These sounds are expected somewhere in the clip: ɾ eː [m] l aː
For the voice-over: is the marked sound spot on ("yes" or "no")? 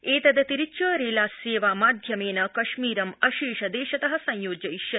no